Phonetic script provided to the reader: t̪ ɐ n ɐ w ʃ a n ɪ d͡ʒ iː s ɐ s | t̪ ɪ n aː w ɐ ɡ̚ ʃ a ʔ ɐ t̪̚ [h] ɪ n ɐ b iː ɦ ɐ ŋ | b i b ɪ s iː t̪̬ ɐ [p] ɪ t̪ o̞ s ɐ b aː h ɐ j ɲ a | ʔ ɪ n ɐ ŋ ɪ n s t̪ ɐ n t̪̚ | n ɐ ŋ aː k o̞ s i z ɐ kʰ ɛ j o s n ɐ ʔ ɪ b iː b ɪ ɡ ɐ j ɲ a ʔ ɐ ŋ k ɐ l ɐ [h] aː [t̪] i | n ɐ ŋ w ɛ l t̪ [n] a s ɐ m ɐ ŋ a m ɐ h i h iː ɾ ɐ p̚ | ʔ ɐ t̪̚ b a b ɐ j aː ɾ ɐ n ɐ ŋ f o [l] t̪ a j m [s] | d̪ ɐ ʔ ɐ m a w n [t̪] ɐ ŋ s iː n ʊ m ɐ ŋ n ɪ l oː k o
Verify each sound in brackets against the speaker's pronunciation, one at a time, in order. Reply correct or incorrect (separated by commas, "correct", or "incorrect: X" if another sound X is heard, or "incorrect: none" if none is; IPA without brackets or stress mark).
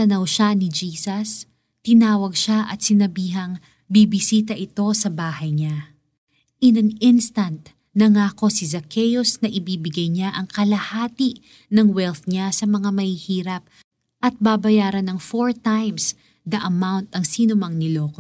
incorrect: s, incorrect: ʔ, correct, correct, incorrect: ɲ, incorrect: ɹ, correct, correct